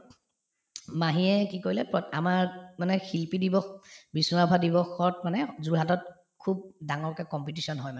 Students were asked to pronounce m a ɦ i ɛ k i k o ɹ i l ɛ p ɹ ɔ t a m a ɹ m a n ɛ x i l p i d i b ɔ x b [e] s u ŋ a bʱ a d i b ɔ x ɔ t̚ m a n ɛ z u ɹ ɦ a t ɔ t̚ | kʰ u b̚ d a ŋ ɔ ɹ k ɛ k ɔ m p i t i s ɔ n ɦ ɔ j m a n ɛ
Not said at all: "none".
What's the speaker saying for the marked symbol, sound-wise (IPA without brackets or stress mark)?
i